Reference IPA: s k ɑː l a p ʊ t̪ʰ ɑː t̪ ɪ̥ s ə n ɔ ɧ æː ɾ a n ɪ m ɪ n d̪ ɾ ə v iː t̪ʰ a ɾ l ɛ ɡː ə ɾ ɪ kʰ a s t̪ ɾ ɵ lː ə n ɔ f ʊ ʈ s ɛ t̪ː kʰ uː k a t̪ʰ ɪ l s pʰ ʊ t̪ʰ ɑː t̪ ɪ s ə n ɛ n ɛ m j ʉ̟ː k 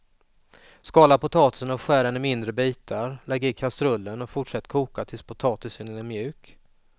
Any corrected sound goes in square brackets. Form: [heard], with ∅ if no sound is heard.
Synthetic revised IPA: s k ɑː l a p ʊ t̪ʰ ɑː t̪ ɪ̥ s ə n ɔ ɧ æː ɾ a n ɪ m ɪ n d̪ ɾ ə [b] iː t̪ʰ a ɾ l ɛ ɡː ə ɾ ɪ kʰ a s t̪ ɾ ɵ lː ə n ɔ f ʊ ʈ [ʂ] ɛ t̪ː kʰ uː k a t̪ʰ ɪ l s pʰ ʊ t̪ʰ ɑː t̪ ɪ s ə n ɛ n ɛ m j ʉ̟ː k